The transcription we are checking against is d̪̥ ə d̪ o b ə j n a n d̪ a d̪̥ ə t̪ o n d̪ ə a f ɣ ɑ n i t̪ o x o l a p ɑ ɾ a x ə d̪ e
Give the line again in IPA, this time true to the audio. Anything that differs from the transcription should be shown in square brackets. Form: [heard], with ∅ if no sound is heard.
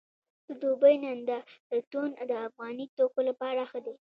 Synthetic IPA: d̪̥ ə d̪ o b ə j n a n d̪ a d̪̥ ə t̪ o n d̪ ə a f ɣ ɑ n i t̪ o [k] o l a p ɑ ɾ a x ə d̪ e